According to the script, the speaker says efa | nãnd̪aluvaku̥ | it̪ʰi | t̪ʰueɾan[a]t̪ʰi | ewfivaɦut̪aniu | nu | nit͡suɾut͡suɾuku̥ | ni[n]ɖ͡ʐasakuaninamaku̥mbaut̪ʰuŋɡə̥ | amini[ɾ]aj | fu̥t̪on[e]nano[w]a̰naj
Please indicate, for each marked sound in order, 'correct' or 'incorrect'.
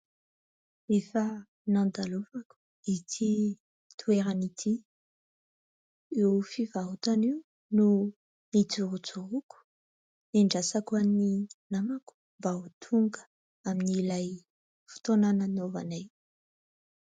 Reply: incorrect: i, incorrect: ɳ, incorrect: l, incorrect: a, incorrect: v

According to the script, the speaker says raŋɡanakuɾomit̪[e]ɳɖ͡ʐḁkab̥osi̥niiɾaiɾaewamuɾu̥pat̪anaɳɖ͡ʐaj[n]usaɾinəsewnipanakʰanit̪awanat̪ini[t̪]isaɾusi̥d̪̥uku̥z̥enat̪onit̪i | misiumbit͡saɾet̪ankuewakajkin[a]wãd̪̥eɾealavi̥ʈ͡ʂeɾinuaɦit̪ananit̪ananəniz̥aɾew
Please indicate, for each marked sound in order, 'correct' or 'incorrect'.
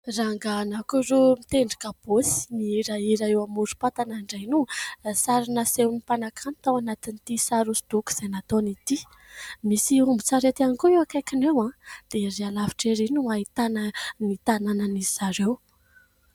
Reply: correct, correct, correct, incorrect: e

